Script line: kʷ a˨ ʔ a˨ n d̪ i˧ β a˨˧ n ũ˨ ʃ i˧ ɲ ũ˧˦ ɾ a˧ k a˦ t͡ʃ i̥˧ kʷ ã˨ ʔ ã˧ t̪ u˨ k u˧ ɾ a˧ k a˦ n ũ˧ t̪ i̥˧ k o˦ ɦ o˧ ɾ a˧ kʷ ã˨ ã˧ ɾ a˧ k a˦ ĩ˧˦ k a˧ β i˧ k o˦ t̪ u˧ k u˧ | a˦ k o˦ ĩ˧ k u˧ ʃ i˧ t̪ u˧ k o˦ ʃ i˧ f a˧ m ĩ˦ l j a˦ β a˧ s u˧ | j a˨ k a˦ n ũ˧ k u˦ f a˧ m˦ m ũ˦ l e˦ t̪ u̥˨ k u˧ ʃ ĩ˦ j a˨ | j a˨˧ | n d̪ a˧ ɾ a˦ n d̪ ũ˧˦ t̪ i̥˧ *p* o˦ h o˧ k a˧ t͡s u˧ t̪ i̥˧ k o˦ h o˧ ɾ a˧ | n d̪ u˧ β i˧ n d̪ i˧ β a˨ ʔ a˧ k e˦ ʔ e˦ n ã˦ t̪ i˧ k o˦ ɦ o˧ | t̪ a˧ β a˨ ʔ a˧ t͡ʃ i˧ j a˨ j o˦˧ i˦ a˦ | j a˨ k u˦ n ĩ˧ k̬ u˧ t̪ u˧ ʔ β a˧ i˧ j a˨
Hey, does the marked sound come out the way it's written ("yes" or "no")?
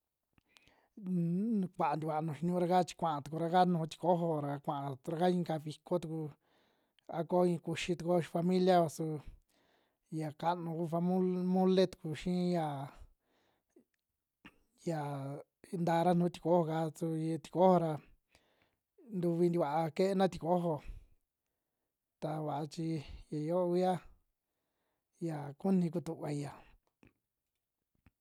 no